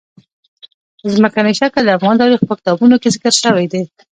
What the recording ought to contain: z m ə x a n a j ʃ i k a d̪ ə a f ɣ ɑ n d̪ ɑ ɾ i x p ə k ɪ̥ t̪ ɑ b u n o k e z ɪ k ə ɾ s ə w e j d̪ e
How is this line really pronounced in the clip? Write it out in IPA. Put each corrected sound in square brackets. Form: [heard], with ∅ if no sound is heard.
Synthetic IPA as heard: z m ə [k] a n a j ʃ [a] k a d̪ ə a f ɣ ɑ n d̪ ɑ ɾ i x p ə k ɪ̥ t̪ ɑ b u n o k e z ɪ k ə ɾ [ʃ] ə w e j d̪ e